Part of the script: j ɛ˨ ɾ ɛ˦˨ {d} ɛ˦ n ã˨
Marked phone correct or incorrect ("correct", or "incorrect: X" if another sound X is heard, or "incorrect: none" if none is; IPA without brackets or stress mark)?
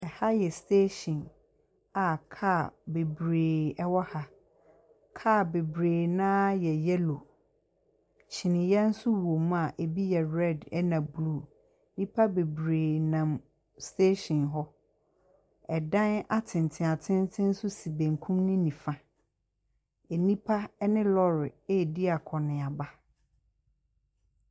correct